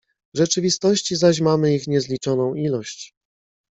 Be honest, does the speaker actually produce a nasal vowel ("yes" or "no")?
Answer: yes